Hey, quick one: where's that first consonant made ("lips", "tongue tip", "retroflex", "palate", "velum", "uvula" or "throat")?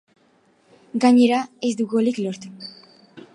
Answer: velum